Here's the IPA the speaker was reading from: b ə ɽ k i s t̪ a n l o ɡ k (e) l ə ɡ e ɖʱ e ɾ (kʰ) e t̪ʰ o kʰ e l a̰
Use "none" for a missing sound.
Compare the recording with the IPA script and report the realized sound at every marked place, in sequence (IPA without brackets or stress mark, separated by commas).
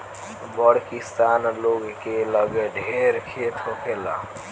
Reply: e, kʰ